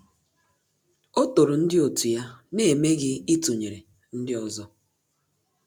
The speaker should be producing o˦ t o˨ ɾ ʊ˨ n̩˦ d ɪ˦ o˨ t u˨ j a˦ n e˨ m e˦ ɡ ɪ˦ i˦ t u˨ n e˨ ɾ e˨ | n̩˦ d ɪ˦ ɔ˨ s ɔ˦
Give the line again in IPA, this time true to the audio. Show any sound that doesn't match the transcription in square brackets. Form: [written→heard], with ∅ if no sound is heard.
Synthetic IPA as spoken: o˦ t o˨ ɾ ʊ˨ n̩˦ d ɪ˦ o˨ t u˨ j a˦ n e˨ m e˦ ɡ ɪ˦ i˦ t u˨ [n→ɲ] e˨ ɾ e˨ | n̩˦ d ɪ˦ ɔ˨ [s→z] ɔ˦